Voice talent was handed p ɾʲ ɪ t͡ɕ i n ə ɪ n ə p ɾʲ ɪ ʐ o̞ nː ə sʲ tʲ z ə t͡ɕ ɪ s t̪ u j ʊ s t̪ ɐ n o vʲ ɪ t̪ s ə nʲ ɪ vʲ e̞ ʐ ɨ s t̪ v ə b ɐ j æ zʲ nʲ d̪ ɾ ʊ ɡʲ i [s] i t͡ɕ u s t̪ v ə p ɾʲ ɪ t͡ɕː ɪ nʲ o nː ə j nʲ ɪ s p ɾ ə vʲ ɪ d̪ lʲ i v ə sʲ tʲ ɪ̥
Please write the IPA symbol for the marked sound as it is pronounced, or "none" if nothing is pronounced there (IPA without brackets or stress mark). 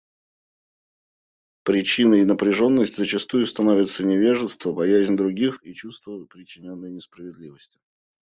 x